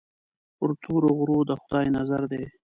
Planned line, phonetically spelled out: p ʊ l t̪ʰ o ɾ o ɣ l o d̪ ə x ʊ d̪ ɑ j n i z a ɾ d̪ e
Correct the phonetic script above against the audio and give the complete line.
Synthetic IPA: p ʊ ɾ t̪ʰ o ɾ o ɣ ɾ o d̪ ə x ʊ d̪ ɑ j n a z a ɾ d̪ e